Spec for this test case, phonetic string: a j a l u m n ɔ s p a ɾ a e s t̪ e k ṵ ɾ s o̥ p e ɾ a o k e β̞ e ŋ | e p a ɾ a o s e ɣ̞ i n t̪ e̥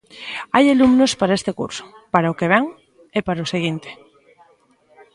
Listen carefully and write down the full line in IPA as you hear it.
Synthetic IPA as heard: a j a l u m n o s p a ɾ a e s t̪ e k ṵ ɾ s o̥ p a ɾ a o k e β̞ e ŋ | e p a ɾ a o s e ɣ̞ i n t̪ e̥